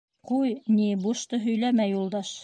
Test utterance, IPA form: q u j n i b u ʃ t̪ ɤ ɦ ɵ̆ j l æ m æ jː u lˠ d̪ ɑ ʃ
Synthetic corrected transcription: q u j n i b u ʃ t̪ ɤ ɦ ɵ̆ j l æ m æ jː u lˠ d̪ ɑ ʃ